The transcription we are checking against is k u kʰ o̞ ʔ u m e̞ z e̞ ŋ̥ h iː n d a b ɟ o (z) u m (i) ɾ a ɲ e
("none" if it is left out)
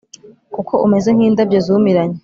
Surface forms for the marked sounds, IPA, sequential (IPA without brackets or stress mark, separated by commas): z, i